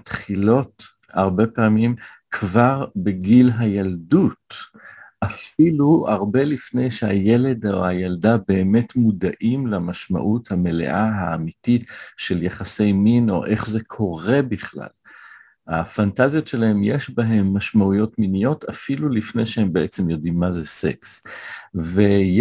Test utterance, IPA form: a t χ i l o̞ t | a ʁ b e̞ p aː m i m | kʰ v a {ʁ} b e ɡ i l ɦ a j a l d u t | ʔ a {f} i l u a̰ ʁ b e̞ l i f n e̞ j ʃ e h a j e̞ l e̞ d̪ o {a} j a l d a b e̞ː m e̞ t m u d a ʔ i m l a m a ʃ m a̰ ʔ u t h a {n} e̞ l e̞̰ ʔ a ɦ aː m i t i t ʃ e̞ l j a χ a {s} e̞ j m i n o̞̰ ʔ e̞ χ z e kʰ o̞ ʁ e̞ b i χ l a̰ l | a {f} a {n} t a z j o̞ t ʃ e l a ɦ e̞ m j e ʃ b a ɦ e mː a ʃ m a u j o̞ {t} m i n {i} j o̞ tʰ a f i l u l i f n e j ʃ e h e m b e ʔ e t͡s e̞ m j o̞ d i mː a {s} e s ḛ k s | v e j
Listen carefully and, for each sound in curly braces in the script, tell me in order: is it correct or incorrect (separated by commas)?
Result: correct, correct, correct, incorrect, correct, correct, correct, correct, correct, incorrect